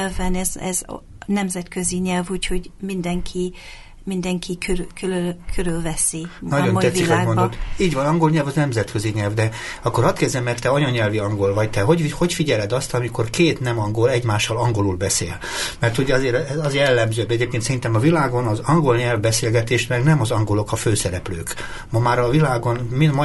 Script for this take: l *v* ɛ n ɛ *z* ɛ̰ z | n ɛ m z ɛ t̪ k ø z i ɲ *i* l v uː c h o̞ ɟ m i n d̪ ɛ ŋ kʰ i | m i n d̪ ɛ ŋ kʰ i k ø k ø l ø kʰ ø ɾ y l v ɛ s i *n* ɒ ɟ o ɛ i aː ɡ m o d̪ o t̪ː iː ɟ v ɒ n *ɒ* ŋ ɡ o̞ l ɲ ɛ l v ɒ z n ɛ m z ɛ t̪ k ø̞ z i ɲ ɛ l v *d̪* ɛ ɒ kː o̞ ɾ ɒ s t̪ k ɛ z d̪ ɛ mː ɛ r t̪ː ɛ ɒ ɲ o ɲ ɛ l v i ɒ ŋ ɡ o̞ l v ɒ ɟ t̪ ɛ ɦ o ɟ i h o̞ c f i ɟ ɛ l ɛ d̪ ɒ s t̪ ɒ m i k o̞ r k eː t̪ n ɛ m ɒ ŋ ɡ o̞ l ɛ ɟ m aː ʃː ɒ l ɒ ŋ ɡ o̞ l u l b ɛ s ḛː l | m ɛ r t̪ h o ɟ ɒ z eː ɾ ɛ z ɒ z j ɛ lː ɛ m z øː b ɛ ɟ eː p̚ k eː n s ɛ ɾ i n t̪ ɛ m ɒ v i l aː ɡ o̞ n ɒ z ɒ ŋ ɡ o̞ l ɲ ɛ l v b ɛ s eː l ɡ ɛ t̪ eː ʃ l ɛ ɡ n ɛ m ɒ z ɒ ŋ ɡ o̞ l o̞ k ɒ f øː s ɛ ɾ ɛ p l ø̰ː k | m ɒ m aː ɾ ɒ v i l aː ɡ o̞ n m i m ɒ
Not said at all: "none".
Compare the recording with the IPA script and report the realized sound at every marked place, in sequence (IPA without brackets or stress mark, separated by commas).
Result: v, z, ɛ, n, ɒ, d̪